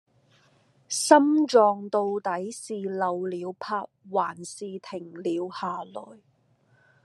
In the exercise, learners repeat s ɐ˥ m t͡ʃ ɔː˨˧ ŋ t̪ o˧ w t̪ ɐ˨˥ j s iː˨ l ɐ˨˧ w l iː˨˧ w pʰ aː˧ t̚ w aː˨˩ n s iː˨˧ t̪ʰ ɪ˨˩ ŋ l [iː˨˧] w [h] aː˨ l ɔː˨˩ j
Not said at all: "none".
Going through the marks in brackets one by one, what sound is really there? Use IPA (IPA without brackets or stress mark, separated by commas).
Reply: iː˨˧, h